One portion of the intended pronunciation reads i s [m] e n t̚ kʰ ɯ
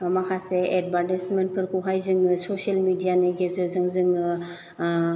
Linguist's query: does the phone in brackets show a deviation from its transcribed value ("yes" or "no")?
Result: no